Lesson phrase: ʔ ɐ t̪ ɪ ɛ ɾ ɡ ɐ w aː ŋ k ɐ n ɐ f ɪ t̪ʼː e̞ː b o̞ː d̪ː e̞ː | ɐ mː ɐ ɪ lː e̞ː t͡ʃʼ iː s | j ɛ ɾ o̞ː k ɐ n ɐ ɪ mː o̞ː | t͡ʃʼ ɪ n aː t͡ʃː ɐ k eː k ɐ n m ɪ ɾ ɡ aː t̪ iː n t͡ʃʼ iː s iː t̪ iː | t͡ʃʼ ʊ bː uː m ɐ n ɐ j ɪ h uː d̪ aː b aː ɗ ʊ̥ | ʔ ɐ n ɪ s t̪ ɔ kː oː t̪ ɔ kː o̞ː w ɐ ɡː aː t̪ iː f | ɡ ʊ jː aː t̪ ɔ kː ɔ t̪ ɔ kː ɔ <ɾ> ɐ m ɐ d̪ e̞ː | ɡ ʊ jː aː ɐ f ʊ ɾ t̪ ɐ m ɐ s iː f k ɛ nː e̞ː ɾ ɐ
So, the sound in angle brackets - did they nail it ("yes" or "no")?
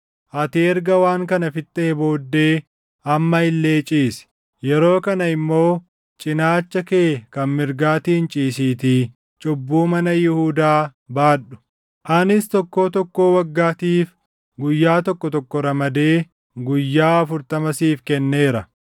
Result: yes